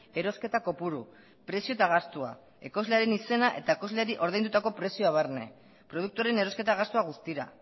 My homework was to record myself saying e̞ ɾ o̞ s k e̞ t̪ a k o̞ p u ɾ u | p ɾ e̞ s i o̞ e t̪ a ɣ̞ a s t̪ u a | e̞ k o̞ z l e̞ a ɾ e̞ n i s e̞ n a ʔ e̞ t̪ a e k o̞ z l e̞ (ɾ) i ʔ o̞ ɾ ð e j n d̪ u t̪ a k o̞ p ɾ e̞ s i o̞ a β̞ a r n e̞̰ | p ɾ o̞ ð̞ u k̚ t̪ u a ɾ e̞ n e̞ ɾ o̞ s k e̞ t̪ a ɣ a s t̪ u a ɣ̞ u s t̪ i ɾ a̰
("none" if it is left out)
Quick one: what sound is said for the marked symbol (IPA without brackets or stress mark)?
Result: ɾ